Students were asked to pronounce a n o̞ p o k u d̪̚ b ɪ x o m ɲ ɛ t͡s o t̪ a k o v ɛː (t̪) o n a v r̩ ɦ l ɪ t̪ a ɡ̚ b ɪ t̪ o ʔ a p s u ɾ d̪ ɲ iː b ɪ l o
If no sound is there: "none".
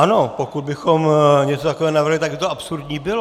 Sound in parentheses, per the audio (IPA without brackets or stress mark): none